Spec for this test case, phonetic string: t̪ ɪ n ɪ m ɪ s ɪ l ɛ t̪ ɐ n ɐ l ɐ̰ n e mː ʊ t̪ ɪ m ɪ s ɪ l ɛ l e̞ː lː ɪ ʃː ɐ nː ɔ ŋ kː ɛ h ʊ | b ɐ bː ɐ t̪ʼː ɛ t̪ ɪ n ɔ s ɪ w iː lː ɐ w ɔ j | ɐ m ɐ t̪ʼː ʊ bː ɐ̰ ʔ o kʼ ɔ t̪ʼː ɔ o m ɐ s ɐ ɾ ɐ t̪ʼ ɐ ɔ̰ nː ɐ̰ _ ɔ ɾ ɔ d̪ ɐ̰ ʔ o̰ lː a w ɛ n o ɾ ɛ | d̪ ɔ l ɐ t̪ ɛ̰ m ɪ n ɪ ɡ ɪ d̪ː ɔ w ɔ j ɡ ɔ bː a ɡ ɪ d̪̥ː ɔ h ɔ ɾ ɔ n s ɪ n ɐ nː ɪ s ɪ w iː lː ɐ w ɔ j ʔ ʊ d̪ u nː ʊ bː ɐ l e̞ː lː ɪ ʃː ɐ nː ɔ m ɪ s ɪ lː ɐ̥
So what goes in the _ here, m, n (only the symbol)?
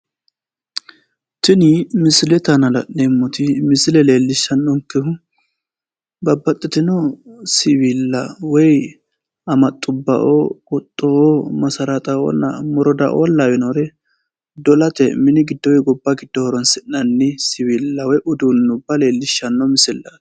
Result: m